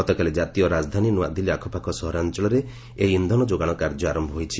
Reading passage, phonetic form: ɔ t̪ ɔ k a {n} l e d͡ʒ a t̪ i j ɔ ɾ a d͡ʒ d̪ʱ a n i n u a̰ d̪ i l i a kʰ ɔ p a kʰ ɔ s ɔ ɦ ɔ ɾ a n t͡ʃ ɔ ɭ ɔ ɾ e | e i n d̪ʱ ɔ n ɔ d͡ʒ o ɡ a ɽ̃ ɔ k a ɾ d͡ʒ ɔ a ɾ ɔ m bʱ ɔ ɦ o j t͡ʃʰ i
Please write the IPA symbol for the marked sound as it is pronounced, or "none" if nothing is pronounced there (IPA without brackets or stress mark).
none